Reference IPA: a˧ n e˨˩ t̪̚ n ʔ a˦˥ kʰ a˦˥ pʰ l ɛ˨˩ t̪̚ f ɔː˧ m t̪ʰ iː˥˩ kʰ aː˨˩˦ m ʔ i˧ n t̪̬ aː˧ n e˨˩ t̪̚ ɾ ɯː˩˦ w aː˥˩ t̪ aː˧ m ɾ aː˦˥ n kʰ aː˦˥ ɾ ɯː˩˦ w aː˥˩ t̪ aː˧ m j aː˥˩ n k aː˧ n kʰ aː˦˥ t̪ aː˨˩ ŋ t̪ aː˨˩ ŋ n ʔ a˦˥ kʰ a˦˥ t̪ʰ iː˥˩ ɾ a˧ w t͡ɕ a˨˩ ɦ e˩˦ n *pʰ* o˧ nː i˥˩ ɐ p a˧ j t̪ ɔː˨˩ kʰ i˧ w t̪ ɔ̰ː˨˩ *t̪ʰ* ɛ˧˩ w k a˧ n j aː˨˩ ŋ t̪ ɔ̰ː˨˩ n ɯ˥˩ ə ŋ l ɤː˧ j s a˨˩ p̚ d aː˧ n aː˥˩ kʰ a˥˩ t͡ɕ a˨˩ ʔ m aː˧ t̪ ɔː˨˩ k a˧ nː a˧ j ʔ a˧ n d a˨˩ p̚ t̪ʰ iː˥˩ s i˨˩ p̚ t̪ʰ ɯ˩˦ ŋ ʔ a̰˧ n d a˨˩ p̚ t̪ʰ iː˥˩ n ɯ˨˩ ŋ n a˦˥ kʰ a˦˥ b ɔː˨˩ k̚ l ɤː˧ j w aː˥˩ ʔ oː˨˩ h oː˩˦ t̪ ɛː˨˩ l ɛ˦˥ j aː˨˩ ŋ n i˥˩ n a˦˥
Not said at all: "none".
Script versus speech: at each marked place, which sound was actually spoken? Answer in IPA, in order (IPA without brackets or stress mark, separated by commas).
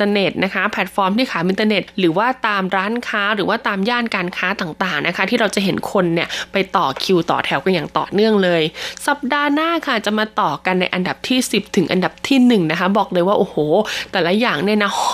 kʰ, t̪ʰ